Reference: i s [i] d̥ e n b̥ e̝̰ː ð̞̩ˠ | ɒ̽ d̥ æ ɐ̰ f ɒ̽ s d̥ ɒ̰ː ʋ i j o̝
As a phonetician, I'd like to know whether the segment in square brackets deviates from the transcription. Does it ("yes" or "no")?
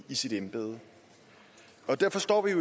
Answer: no